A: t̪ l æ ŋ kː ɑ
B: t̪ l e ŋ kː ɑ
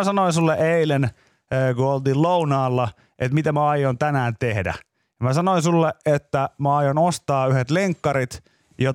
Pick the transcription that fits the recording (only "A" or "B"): B